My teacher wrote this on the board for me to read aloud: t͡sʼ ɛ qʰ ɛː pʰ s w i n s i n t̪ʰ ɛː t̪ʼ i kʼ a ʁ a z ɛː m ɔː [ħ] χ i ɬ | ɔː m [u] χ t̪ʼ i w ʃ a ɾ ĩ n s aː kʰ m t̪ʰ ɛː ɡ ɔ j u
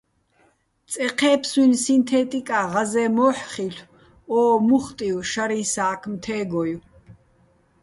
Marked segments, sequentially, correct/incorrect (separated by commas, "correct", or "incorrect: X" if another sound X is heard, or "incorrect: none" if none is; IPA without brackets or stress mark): correct, correct